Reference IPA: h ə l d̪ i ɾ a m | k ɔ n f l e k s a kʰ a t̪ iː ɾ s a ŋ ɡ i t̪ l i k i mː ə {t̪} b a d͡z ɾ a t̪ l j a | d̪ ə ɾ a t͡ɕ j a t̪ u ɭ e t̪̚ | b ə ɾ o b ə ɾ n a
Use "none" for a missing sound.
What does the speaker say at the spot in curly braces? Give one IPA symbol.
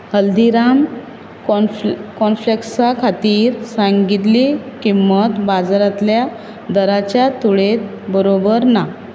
t̪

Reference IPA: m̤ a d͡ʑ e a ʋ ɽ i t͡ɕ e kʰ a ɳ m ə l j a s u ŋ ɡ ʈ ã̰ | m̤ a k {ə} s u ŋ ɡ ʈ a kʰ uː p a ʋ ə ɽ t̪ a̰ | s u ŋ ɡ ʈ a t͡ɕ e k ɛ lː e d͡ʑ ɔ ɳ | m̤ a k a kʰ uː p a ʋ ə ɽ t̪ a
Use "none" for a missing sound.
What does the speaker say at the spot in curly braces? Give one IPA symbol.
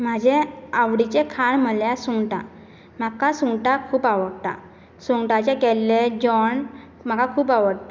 a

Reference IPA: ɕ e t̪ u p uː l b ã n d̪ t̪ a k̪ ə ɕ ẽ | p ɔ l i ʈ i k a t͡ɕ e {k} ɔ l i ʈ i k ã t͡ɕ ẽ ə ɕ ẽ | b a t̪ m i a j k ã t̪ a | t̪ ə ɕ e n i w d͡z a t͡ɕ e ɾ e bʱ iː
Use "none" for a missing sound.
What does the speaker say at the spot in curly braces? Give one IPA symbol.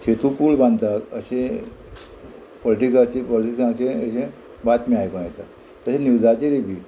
p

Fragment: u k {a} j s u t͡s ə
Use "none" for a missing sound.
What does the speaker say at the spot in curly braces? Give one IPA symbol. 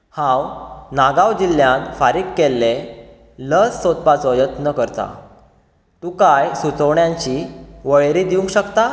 a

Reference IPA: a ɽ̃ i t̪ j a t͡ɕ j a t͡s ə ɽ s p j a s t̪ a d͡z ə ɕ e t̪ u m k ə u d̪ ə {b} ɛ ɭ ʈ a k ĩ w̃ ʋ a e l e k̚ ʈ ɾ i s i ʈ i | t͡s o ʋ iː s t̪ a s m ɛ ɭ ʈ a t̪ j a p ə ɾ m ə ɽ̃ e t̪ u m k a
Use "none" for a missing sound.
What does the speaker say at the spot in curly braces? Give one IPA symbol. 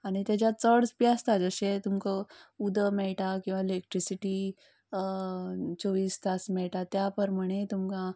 m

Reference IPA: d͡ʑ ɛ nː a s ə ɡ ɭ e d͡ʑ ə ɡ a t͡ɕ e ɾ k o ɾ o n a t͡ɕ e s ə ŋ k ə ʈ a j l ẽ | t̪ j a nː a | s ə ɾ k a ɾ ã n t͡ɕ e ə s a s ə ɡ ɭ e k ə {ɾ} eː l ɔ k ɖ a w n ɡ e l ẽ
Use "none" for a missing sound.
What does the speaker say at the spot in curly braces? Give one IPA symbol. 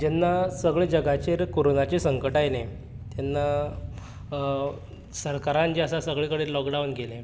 ɽ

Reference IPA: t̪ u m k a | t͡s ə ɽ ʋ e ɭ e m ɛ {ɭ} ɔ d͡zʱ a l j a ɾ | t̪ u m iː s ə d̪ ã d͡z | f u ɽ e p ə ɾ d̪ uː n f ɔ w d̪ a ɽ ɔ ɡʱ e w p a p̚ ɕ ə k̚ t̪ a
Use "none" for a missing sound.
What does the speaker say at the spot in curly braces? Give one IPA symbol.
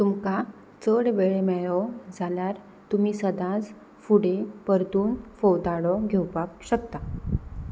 ɭ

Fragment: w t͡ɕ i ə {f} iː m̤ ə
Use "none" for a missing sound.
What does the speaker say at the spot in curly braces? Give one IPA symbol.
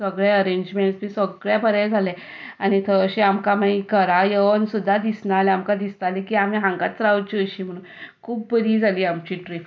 ɕ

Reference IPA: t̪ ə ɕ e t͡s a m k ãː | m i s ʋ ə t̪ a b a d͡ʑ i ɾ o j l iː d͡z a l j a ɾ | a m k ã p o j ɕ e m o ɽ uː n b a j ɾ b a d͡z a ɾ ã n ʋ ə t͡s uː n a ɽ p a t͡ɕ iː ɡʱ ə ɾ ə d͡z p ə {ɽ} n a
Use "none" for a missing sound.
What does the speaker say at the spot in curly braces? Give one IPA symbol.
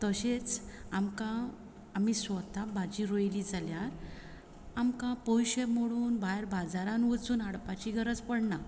ɽ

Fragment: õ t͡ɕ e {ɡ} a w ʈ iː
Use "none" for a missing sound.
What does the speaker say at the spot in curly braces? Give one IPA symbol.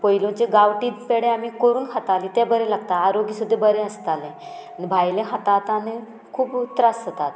ɡ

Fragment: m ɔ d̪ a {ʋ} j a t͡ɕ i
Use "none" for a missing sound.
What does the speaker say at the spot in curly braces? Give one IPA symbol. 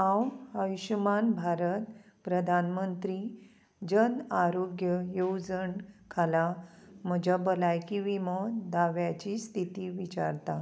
ʋ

